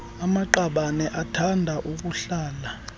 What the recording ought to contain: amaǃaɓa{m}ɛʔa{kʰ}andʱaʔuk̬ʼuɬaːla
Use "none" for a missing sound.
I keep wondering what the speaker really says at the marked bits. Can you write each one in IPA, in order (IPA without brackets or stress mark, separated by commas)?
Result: n, tʰ